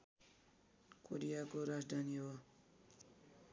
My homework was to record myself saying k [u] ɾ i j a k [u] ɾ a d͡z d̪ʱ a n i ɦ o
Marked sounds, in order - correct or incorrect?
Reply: incorrect: o, incorrect: o

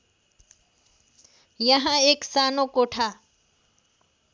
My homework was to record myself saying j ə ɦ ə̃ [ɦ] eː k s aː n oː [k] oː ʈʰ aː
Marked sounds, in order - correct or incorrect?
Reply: incorrect: none, correct

